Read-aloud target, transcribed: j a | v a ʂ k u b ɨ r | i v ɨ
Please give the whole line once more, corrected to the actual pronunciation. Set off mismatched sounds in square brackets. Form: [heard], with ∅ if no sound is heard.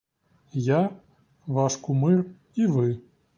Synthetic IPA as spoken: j a | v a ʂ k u [m] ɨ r | i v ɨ

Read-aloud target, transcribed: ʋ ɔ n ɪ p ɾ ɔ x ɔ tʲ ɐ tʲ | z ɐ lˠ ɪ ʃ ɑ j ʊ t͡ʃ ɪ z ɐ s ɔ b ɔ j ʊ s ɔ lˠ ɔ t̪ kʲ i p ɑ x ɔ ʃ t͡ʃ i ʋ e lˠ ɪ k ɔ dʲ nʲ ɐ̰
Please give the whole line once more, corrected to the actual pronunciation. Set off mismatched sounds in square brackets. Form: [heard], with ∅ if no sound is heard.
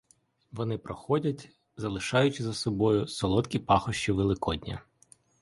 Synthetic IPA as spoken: ʋ ɔ n ɪ p ɾ ɔ x ɔ [dʲ] ɐ tʲ | z ɐ lˠ ɪ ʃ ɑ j ʊ t͡ʃ ɪ z ɐ s ɔ b ɔ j ʊ s ɔ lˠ ɔ t̪ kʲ i p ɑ x ɔ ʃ t͡ʃ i ʋ e lˠ ɪ k ɔ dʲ nʲ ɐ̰

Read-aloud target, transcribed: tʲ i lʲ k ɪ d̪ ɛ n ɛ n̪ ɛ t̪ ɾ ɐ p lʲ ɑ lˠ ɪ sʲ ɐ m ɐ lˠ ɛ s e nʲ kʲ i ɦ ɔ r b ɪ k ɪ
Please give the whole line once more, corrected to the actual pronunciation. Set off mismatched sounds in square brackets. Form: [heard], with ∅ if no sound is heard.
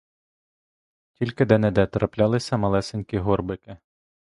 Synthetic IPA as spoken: tʲ i lʲ k ɪ d̪ ɛ n ɛ [d̪] ɛ t̪ ɾ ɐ p lʲ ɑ lˠ ɪ sʲ ɐ m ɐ lˠ ɛ s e nʲ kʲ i ɦ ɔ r b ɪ k ɪ

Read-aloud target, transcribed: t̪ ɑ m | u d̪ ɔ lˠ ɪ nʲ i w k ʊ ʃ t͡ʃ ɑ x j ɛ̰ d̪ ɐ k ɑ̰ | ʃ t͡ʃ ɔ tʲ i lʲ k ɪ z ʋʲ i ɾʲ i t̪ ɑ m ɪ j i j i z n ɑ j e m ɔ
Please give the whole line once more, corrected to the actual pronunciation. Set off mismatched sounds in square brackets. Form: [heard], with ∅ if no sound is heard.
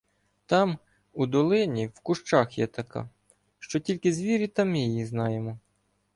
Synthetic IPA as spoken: t̪ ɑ m | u d̪ ɔ lˠ ɪ nʲ i w k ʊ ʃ t͡ʃ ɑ x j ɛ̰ [t̪] ɐ k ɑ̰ | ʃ t͡ʃ ɔ tʲ i lʲ k ɪ z ʋʲ i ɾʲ i t̪ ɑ m ɪ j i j i z n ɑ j e m ɔ

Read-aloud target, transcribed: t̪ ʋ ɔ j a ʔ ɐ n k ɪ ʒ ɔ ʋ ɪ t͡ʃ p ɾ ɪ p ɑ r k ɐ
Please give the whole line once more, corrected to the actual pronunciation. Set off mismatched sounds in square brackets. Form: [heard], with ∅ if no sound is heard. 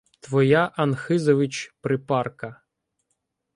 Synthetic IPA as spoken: t̪ ʋ ɔ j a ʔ ɐ n [x] ɪ [z] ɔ ʋ ɪ t͡ʃ p ɾ ɪ p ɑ r k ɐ

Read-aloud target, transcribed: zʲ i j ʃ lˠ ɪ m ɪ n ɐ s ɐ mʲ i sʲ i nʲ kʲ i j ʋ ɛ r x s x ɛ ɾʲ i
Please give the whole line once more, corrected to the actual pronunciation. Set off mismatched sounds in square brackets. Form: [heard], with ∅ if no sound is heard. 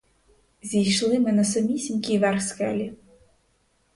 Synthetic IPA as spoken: zʲ i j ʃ lˠ ɪ m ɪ n ɐ s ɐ mʲ i sʲ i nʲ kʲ i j ʋ ɛ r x s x ɛ [lʲ] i

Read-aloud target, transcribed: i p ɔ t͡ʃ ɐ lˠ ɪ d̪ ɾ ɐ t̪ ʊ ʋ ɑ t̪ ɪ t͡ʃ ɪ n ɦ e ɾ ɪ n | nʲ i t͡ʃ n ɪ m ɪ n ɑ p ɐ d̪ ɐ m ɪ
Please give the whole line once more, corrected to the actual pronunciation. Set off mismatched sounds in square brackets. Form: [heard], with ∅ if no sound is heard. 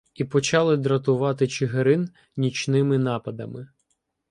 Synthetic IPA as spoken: i p ɔ t͡ʃ [ɑ] lˠ ɪ d̪ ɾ ɐ t̪ ʊ ʋ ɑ t̪ ɪ t͡ʃ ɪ [∅] ɦ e ɾ ɪ n | nʲ i t͡ʃ n ɪ m ɪ n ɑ p ɐ d̪ ɐ m ɪ

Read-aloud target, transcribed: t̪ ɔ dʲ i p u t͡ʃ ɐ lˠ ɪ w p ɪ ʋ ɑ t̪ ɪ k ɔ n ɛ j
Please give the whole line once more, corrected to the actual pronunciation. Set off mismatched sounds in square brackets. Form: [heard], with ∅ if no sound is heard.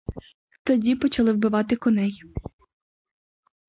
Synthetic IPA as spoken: t̪ ɔ dʲ i p [ɔ] t͡ʃ ɐ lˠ ɪ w [b] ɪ ʋ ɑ t̪ ɪ k ɔ n ɛ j

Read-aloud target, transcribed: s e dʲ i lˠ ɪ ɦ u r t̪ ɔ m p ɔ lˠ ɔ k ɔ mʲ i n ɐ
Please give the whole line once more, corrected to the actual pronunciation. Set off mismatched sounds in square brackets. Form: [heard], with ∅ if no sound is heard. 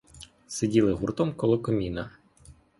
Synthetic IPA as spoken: s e dʲ i lˠ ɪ ɦ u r t̪ ɔ m [k] ɔ lˠ ɔ k ɔ mʲ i n ɐ

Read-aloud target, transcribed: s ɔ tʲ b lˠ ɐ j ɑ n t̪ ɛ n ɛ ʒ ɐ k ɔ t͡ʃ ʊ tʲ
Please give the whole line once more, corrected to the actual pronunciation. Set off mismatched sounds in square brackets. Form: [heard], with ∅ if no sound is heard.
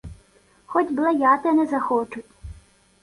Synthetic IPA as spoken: [x] ɔ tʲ b lˠ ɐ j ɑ [∅] t̪ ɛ n ɛ [z] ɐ [x] ɔ t͡ʃ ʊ tʲ

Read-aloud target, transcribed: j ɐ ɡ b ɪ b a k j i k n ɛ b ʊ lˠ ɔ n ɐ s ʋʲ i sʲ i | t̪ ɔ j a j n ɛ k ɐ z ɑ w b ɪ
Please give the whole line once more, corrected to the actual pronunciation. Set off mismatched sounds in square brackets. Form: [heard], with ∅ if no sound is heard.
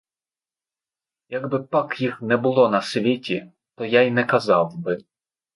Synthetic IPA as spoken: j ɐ ɡ b ɪ [p] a k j i [x] n ɛ b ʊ lˠ ɔ n ɐ s ʋʲ i [tʲ] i | t̪ ɔ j a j n ɛ k ɐ z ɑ w b ɪ

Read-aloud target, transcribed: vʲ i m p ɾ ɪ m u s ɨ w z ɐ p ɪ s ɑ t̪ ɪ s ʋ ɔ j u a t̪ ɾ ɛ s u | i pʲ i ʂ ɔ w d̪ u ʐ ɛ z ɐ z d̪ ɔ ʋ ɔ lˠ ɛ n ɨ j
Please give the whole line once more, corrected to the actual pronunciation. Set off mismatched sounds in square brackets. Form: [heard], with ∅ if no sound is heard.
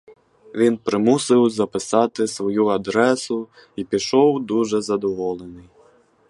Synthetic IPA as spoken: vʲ i [n] p ɾ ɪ m u s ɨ w z ɐ p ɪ s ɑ t̪ ɪ s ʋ ɔ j u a [d̪] ɾ ɛ s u | i pʲ i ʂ ɔ w d̪ u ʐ ɛ z ɐ [∅] d̪ ɔ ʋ ɔ lˠ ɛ n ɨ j

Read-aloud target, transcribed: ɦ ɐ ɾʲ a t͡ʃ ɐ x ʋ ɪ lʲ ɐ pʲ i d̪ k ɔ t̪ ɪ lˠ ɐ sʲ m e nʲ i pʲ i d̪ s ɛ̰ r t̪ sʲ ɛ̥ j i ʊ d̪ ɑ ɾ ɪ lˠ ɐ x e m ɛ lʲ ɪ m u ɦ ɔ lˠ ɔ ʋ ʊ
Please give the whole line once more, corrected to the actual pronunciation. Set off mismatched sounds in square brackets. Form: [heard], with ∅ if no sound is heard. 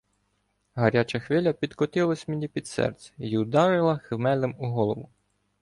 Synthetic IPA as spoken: ɦ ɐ ɾʲ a t͡ʃ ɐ x ʋ ɪ lʲ ɐ pʲ i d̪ k ɔ t̪ ɪ lˠ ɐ sʲ m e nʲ i pʲ i d̪ s ɛ̰ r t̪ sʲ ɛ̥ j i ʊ d̪ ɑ ɾ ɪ lˠ ɐ x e m ɛ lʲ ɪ m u ɦ ɔ lˠ ɔ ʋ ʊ

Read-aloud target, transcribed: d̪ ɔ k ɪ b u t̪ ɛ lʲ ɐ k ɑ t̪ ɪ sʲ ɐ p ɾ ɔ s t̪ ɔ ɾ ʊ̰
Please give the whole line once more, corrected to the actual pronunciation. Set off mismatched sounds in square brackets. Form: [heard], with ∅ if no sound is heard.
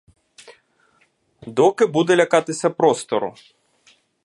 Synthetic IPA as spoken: d̪ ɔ k ɪ b u [d̪] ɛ lʲ ɐ k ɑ t̪ ɪ sʲ ɐ p ɾ ɔ s t̪ ɔ ɾ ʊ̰

